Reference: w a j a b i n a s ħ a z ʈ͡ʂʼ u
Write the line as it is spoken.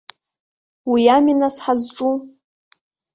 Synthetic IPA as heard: w i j a m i n a s ħ a z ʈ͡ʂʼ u

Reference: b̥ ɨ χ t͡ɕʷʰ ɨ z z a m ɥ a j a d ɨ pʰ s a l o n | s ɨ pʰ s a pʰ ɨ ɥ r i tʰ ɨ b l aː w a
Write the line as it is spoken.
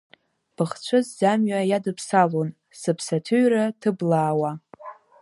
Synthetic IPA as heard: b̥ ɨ χ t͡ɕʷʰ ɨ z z a m ɥ a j a d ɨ pʰ s a l o n | s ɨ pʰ s a tʰ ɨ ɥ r a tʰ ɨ b l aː w a

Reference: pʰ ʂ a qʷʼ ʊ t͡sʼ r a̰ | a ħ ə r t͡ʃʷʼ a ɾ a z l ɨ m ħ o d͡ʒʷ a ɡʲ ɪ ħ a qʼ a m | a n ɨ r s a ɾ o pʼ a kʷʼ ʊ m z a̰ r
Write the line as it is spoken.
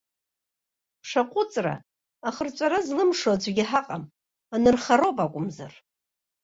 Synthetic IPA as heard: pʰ ʂ a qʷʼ ʊ t͡sʼ r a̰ | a χ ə r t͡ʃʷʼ a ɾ a z l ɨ m ʂ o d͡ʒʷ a ɡʲ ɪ ħ a qʼ a m | a n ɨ r χ a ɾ o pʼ a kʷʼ ʊ m z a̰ r

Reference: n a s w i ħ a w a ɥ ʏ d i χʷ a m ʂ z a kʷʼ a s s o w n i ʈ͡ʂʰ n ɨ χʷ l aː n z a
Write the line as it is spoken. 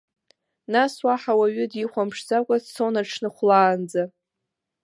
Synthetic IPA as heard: n a s w a ħ a w a ɥ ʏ d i χʷ a m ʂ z a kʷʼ a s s o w n a ʈ͡ʂʰ n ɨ χʷ l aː n d͡z a

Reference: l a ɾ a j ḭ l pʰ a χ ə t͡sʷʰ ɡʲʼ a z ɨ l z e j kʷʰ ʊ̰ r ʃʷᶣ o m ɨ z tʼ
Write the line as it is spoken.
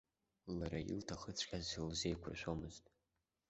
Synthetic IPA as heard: l a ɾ a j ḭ l tʰ a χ ə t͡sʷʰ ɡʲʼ a z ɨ l z e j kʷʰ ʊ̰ r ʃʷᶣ o m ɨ z tʼ

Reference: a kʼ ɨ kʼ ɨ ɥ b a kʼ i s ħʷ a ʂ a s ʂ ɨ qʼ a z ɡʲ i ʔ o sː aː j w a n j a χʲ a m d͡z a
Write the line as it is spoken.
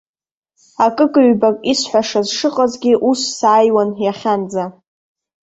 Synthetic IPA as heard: a kʼ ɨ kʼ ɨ ɥ b a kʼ i s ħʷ a ʂ a z ʂ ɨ qʼ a z ɡʲ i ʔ u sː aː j w a n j a χʲ a n d͡z a

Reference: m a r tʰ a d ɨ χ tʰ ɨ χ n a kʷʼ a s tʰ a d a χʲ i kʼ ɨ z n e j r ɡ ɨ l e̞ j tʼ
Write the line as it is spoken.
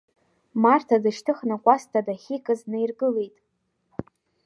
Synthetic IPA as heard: m a r tʰ a d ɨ ʃ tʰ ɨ χ n a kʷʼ a s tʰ a d a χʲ i kʼ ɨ z n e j r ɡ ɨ l e̞ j tʼ

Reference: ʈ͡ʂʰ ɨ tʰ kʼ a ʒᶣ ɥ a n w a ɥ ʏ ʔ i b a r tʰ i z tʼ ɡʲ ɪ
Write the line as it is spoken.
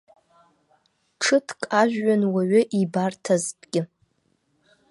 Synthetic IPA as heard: ʈ͡ʂʰ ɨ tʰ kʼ a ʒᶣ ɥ a n w a ɥ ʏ ʔ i b a r tʰ a z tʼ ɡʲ ɪ

